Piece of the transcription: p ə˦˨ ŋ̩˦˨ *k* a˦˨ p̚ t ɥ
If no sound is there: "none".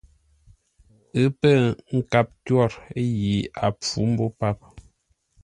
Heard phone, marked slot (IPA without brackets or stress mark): k